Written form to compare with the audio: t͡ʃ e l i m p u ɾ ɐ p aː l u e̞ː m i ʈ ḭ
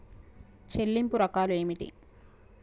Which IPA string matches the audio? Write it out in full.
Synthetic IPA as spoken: t͡ʃ e lː i m p u ɾ ɐ k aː l u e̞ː m i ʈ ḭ